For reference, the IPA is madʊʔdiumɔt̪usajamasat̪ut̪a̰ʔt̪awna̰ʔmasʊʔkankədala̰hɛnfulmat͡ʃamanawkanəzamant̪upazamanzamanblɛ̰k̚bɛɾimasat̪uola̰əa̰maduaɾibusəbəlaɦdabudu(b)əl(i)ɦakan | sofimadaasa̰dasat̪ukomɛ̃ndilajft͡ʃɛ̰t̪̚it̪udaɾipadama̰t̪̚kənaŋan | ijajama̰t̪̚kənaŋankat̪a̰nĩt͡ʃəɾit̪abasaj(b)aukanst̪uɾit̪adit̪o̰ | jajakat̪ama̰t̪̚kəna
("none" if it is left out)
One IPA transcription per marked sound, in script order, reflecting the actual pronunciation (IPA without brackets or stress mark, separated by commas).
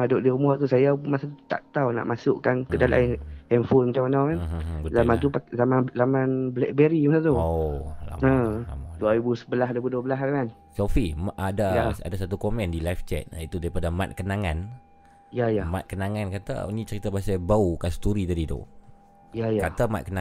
b, a, b